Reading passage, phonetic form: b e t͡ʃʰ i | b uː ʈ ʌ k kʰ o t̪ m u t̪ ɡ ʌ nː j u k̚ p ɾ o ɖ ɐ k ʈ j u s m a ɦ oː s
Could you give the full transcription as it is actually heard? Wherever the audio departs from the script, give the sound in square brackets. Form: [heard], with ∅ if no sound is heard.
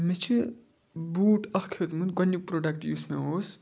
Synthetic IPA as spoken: [m] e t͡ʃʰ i | b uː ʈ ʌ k kʰ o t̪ m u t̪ ɡ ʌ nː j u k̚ p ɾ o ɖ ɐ k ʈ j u s m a ɦ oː s